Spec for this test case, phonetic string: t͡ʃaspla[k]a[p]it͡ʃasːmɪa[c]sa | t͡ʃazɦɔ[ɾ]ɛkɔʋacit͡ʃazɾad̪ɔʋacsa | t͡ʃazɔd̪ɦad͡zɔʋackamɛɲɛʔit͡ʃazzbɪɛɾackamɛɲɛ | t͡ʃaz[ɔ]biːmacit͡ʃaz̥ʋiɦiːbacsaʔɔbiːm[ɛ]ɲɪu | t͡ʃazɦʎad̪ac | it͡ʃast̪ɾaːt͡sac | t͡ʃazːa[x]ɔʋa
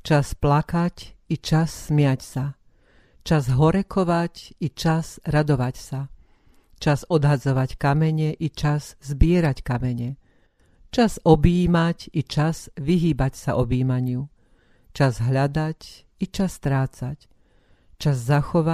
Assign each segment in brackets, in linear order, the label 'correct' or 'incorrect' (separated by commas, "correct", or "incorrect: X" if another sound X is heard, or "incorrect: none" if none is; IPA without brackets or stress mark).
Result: correct, incorrect: c, correct, correct, correct, incorrect: a, correct